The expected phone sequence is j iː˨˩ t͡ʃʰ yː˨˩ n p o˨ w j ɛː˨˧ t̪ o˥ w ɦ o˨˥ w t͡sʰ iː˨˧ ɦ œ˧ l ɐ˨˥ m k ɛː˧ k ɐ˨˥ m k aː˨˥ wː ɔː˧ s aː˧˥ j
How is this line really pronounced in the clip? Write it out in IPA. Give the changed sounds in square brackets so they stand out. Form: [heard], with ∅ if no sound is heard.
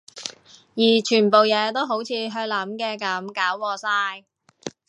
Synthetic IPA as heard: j iː˨˩ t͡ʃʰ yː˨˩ n p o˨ w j ɛː˨˧ t̪ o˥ w ɦ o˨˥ w t͡sʰ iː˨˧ ɦ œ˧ l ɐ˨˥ m k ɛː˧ k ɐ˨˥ m k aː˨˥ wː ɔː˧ s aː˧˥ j